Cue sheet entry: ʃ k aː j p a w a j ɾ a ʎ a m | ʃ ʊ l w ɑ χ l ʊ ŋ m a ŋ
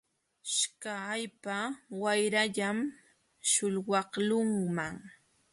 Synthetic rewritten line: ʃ k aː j p a w a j ɾ a ʎ a m | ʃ ʊ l w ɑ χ l ʊ ŋ m a ŋ